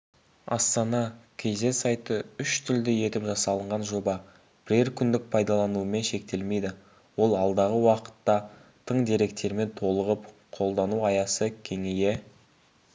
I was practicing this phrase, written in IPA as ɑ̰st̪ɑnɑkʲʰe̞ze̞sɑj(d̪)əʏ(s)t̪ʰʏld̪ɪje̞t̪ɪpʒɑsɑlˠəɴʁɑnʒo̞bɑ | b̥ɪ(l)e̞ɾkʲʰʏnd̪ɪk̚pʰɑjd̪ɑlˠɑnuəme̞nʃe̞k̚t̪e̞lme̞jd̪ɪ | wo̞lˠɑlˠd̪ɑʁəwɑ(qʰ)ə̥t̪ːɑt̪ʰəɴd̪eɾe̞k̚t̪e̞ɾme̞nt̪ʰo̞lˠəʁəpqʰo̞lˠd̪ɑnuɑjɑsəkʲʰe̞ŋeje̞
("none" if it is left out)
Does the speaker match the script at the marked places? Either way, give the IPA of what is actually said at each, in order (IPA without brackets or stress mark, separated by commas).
t̪, ʃ, ɾ, q